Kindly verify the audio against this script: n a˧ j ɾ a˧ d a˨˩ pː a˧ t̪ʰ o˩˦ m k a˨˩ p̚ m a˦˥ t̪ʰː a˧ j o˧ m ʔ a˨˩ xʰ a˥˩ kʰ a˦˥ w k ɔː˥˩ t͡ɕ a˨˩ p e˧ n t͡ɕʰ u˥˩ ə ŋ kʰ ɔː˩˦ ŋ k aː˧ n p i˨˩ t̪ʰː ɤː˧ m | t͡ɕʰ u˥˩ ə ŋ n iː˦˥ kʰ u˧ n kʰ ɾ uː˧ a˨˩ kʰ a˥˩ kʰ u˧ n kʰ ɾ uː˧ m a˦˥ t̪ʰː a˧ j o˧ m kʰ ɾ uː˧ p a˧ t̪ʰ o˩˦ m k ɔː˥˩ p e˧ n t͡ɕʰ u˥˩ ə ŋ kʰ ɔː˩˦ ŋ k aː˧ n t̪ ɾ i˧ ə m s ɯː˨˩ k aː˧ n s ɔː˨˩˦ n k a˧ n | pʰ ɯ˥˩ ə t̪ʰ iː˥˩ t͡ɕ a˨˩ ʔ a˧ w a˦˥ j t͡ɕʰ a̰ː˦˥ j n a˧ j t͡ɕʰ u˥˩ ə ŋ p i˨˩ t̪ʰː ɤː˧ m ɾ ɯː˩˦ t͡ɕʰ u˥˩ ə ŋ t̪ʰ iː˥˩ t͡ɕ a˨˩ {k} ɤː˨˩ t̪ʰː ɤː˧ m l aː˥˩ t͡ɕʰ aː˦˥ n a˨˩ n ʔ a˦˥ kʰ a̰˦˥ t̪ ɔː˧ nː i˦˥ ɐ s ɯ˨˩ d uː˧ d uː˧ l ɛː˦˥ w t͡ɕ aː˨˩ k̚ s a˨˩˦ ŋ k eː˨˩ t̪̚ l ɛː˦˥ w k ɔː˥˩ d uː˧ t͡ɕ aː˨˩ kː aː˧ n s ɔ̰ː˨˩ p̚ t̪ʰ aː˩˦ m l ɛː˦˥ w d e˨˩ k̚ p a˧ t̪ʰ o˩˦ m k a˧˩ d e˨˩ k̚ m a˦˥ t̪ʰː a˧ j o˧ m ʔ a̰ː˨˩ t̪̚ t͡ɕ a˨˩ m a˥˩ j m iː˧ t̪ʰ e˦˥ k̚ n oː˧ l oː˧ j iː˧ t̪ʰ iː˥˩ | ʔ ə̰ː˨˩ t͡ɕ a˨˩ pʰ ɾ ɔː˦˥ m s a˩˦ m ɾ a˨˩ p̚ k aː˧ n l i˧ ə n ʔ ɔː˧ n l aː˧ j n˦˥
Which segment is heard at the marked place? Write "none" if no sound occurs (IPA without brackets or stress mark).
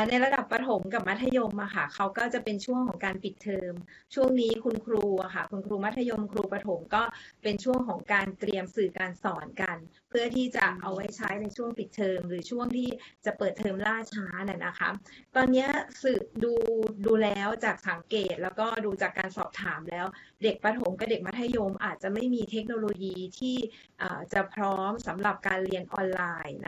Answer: p